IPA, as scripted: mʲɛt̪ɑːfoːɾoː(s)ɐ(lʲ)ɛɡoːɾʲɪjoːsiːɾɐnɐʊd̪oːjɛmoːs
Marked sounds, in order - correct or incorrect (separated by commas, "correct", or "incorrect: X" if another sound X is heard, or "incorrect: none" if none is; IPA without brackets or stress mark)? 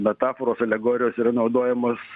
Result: correct, correct